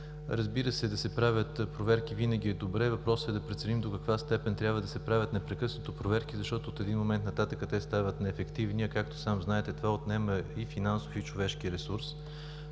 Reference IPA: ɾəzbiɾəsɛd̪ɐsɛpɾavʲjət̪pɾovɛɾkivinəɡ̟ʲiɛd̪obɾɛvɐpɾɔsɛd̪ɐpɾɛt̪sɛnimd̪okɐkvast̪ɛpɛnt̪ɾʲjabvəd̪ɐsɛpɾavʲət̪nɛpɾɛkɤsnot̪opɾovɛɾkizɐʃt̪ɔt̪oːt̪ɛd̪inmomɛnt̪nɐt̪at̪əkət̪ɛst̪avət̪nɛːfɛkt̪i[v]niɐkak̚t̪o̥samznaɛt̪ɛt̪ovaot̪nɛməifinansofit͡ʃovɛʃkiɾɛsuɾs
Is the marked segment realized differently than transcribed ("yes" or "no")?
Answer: no